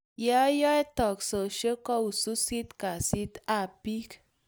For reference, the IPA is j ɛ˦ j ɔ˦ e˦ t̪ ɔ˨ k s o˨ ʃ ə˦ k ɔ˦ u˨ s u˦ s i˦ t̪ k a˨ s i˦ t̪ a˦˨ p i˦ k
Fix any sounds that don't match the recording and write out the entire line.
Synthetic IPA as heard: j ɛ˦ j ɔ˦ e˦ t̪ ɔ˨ k s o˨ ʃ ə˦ k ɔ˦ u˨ s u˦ s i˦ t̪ k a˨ s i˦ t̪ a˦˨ p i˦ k